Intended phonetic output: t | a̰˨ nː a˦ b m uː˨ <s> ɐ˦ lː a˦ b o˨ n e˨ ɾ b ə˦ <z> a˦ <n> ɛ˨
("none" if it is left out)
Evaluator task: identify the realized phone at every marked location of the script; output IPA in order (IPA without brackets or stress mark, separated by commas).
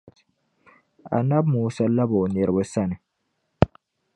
s, s, n